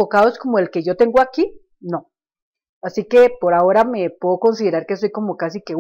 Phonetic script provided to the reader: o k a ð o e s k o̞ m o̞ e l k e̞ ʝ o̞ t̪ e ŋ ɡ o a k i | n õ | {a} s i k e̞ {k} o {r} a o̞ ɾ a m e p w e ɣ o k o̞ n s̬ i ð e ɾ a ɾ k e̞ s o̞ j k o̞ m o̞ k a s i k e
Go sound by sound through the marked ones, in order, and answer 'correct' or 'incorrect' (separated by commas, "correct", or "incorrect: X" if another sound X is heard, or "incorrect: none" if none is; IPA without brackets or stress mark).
correct, incorrect: p, incorrect: ɾ